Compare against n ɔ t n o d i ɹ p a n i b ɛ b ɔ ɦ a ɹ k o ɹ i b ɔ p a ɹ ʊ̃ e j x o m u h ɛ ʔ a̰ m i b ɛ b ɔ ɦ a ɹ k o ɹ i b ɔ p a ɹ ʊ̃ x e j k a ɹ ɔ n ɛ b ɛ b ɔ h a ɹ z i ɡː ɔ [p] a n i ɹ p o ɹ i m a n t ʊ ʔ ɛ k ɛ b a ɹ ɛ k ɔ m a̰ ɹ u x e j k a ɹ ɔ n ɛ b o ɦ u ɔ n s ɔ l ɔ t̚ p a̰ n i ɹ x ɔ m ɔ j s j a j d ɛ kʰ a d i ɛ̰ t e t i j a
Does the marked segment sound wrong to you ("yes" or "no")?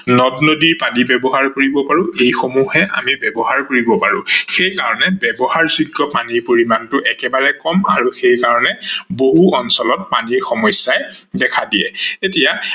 no